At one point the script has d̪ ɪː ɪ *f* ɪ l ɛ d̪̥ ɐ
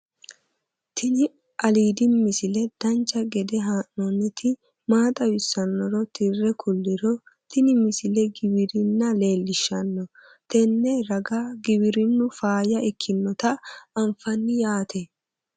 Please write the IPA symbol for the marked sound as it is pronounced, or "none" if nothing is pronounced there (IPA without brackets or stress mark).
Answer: s